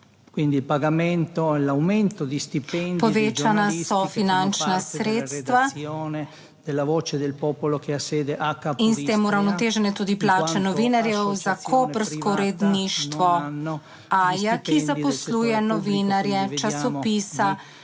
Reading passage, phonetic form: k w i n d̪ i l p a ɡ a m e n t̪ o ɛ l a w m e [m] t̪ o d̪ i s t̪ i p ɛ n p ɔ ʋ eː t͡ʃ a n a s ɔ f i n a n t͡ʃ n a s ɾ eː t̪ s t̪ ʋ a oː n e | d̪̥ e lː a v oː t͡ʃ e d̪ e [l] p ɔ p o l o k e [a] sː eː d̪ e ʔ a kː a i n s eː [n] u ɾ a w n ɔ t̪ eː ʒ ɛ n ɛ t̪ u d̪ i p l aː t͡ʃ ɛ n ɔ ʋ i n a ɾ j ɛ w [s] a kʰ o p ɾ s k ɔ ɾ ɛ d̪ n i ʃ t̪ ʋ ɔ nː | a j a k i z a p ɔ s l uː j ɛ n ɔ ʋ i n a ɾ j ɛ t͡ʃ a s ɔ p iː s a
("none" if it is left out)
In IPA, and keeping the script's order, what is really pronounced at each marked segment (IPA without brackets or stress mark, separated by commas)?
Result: n, l, a, m, z